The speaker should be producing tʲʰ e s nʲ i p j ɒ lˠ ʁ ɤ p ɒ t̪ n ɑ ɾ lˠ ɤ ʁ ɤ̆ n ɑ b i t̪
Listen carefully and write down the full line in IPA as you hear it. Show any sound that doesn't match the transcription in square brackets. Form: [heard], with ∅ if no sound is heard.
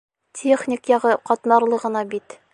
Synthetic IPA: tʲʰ e [χ] nʲ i [k] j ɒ [∅] ʁ ɤ [q] ɒ t̪ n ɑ ɾ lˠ ɤ ʁ ɤ̆ n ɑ b i t̪